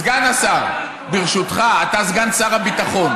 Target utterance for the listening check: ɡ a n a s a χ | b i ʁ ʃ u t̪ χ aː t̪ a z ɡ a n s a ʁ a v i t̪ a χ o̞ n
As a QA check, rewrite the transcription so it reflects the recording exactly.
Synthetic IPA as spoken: ɡ a n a s a ʁ | b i ʁ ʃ u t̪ χ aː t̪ a z ɡ a n s a ʁ a b i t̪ a χ o̞ n